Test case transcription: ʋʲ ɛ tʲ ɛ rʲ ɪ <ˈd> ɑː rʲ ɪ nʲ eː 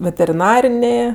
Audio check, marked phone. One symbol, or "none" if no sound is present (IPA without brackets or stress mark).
n